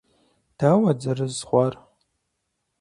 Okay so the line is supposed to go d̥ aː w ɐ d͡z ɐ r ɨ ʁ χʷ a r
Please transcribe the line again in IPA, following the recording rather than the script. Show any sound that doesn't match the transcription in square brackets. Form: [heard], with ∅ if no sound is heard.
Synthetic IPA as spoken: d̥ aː w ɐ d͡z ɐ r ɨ [z] χʷ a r